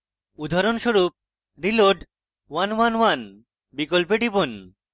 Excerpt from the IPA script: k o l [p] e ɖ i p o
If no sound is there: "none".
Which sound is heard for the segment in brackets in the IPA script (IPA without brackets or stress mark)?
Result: p